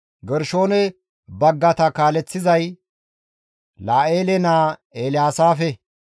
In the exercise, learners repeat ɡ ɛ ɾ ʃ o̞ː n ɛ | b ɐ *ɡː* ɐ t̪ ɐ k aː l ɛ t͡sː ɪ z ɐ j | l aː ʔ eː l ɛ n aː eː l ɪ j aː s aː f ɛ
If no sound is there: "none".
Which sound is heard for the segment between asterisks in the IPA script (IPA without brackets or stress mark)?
ɡː